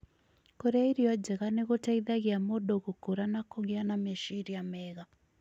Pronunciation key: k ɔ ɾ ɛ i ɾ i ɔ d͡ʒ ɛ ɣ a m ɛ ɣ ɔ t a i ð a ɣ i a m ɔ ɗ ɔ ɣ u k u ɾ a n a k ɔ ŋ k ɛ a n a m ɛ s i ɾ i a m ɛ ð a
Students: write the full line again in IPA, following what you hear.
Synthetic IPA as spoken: k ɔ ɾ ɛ i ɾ i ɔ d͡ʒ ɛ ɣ a n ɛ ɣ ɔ t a i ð a ɣ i a m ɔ ɗ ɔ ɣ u k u ɾ a n a k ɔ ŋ ɡ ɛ a n a m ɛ ʃ i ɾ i a m ɛ ɣ a